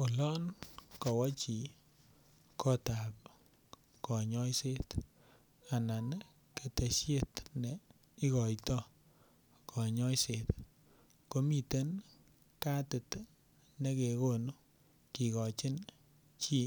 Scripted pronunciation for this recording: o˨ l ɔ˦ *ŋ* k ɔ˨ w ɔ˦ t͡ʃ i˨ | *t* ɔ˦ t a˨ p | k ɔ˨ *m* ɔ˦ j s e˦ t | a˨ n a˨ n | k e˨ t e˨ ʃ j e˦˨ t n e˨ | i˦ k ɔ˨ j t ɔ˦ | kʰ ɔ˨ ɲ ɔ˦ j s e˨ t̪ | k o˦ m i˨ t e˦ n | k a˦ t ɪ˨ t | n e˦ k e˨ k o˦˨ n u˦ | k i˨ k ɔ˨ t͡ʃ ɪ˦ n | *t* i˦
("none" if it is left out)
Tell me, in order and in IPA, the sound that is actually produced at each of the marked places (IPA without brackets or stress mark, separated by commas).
n, k, ɲ, t͡ʃ